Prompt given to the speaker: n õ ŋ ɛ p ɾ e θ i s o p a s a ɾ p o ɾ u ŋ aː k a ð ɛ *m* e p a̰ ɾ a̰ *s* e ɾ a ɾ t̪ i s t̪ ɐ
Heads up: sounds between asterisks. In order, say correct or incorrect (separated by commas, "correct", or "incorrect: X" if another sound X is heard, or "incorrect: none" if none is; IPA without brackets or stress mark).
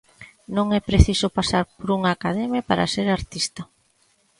correct, correct